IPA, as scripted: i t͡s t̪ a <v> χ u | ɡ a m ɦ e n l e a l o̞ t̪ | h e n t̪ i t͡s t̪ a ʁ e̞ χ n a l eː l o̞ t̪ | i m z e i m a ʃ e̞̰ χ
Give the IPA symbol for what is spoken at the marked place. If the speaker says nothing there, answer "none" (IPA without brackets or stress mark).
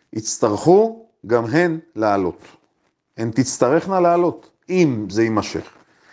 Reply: ʁ